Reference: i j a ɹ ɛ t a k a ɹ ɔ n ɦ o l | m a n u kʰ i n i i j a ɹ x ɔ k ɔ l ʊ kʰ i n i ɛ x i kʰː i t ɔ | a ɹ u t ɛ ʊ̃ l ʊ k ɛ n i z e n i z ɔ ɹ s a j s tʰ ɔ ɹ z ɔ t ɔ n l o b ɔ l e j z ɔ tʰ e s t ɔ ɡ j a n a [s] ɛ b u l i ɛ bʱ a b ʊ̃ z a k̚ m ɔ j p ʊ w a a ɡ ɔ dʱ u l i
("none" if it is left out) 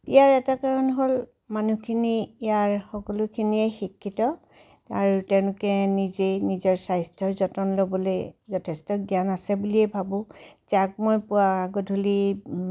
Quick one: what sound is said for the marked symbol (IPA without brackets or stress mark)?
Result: s